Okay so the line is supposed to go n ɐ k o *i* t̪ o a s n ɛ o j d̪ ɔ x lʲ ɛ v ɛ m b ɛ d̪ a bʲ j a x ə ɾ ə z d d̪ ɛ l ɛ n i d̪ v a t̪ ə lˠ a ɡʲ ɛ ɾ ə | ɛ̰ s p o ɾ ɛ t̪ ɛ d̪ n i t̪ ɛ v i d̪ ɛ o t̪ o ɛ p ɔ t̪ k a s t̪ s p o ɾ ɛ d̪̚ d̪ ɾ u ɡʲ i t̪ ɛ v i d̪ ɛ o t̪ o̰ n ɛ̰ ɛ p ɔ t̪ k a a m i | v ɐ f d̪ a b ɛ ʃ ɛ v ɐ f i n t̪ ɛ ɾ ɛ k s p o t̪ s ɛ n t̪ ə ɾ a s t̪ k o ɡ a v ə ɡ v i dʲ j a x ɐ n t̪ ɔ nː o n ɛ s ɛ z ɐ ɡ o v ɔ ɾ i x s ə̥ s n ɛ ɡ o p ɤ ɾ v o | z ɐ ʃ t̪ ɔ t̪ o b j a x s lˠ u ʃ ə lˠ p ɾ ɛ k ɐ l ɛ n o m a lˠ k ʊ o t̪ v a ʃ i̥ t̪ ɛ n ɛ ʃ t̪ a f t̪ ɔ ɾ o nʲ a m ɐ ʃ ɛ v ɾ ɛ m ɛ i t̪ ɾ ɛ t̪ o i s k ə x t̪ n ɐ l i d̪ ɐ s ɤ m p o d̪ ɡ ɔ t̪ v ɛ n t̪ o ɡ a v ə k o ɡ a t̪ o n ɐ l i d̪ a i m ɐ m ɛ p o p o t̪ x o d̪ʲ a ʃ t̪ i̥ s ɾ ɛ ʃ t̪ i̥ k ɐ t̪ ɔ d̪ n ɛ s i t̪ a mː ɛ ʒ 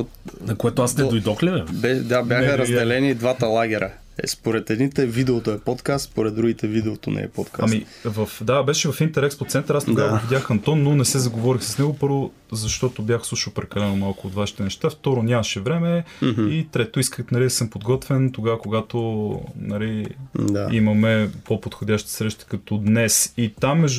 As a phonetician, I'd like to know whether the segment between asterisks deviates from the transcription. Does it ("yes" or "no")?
yes